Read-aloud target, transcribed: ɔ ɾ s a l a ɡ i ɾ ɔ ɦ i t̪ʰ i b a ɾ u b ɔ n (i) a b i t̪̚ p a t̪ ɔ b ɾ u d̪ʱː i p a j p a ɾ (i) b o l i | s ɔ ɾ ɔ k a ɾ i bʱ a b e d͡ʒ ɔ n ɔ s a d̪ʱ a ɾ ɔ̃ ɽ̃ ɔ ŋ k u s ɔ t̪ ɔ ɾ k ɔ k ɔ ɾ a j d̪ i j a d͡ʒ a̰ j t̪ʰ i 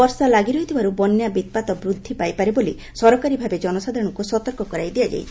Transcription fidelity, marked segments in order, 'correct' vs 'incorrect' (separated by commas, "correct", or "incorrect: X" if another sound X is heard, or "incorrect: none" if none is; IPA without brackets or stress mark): incorrect: j, incorrect: e